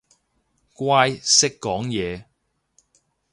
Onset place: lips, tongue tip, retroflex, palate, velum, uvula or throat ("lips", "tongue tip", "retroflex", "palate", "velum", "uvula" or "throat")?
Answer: velum